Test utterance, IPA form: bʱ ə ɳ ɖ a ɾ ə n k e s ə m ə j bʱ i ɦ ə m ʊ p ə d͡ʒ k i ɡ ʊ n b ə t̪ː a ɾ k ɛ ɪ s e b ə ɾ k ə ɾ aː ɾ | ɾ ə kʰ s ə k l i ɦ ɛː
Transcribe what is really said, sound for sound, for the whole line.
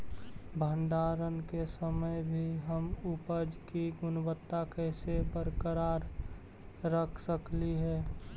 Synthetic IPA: bʱ ə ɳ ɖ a ɾ ə n k e s ə m ə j bʱ i ɦ ə m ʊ p ə d͡ʒ k i ɡ ʊ n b ə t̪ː a k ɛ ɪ s e b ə ɾ k ə ɾ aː ɾ | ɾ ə kʰ s ə k l i ɦ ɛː

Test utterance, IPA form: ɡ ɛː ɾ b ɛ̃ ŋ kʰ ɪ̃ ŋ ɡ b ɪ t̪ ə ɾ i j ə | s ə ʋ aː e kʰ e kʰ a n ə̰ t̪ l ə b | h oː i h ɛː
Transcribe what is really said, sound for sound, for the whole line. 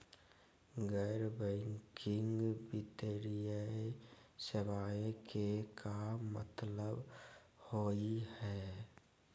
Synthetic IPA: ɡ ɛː ɾ b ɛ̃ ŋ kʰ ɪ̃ ŋ ɡ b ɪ t̪ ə ɾ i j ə | s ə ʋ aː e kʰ e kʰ a m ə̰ t̪ l ə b | h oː i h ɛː

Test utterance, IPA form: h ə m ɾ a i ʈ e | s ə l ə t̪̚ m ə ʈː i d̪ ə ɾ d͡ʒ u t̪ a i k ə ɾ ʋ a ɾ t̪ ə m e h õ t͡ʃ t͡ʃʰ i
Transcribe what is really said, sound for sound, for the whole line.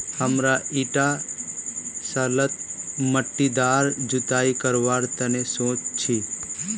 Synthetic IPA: h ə m ɾ a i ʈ a | s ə l ə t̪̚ m ə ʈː i d̪ a ɾ d͡ʒ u t̪ a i k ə ɾ ʋ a ɾ t̪ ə n e s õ t͡ʃ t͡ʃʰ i

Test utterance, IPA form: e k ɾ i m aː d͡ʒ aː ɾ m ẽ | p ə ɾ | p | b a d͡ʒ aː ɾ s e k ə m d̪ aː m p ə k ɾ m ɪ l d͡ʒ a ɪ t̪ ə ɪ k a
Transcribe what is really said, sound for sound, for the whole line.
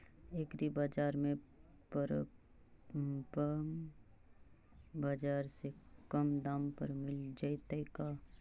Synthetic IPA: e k ɾ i b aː d͡ʒ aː ɾ m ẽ | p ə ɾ | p | b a d͡ʒ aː ɾ s e k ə m d̪ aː m p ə ɾ m ɪ l d͡ʒ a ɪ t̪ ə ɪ k a

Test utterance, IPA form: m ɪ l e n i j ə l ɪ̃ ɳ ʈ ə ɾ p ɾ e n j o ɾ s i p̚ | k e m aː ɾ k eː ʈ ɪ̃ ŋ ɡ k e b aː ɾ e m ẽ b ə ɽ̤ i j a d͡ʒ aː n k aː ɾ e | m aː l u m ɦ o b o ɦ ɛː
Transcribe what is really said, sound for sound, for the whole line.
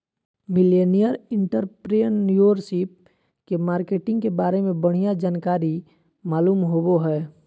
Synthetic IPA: m ɪ l e n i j ə ɾ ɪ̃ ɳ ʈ ə ɾ p ɾ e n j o ɾ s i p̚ | k e m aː ɾ k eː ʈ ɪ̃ ŋ ɡ k e b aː ɾ e m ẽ b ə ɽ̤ i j a d͡ʒ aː n k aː ɾ i | m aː l uː m ɦ o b o ɦ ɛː

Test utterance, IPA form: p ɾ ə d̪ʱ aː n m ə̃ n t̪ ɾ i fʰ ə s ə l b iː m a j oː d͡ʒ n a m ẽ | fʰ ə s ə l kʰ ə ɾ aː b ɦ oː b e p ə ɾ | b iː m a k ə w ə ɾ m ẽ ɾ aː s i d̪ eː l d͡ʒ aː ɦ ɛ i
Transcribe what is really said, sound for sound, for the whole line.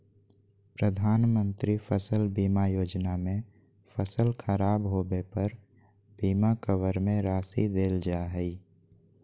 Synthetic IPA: p ɾ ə d̪ʱ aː n m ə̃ n t̪ ɾ i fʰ ə s ə l b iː m a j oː d͡ʒ n a m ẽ | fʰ ə s ə l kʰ ə ɾ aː b ɦ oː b e p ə ɾ | b iː m a k ə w ə ɾ m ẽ ɾ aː s i d̪ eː l d͡ʒ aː ɦ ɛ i

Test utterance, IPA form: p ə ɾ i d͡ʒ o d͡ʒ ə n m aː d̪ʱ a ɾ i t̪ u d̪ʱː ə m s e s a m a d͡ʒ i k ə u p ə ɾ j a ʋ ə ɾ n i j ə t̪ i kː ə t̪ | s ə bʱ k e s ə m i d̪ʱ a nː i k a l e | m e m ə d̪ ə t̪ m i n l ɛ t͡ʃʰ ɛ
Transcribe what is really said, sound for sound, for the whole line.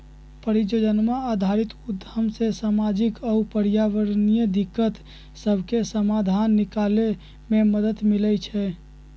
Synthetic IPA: p ə ɾ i d͡ʒ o d͡ʒ ə n m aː d̪ʱ a ɾ i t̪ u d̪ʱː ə m s e s a m a d͡ʒ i k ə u p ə ɾ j a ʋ ə ɾ n i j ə d̪ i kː ə t̪ | s ə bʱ k e s ə m a d̪ʱ a nː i k a l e | m e m ə d̪ ə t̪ m i l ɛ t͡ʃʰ ɛ

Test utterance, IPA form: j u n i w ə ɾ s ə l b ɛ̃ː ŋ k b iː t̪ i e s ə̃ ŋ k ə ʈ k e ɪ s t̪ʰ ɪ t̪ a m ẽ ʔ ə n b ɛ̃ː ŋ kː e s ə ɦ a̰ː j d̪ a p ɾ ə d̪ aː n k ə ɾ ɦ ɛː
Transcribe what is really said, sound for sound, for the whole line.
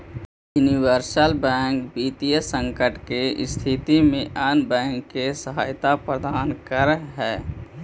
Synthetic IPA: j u n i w ə ɾ s ə l b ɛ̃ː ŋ k b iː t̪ i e s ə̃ ŋ k ə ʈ k e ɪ s t̪ʰ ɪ t̪ i m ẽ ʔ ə n b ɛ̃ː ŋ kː e s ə ɦ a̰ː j t̪ a p ɾ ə d̪ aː n k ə ɾ ɦ ɛː

